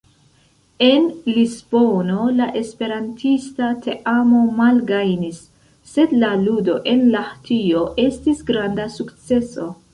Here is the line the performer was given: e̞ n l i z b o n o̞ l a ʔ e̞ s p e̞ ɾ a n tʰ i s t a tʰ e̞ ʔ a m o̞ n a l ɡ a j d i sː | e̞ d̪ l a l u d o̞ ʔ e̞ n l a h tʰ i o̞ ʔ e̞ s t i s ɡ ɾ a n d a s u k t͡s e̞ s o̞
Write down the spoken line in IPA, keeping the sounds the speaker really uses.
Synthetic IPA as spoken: e̞ n l i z b o n o̞ l a ʔ e̞ s p e̞ ɾ a n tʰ i s t a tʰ e̞ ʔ a m o̞ m a l ɡ a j n i sː | e̞ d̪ l a l u d o̞ ʔ e̞ n l a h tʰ i o̞ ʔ e̞ s t i s ɡ ɾ a n d a s u k t͡s e̞ s o̞